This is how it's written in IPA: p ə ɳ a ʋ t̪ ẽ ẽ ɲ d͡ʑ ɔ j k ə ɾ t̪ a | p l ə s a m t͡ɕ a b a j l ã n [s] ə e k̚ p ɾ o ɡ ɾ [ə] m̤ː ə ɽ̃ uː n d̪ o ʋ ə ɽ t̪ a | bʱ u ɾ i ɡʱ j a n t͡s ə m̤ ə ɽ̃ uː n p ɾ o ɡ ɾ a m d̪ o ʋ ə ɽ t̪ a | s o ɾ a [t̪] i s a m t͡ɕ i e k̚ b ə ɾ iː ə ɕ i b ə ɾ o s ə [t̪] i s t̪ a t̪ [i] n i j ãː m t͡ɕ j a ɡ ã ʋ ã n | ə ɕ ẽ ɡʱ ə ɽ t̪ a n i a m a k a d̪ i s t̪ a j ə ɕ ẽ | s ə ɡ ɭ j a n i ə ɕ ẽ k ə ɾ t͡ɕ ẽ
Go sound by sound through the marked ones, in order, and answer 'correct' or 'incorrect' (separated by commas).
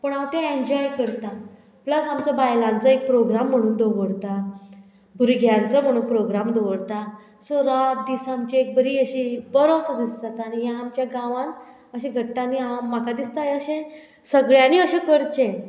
incorrect, incorrect, incorrect, incorrect, incorrect